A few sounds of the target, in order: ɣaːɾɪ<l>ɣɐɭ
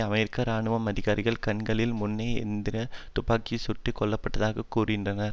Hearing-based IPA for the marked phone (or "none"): none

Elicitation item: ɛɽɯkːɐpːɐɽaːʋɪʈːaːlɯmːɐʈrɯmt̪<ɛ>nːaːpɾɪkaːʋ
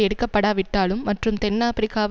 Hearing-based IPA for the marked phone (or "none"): ɛ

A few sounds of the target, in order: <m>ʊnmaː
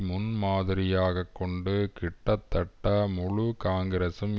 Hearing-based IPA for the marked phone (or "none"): m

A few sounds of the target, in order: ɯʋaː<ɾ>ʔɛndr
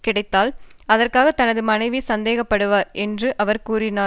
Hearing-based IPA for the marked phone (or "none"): ɾ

